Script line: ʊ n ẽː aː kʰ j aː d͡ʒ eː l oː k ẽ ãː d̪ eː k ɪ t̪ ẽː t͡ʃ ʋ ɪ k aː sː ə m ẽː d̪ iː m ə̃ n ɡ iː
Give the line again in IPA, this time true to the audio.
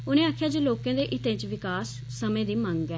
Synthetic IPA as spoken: ʊ n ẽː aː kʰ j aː d͡ʒ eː l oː k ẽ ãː d̪ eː ʔ ɪ t̪ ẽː t͡ʃ ʋ ɪ k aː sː ə m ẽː d̪ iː m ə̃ ŋ ɡ ɛː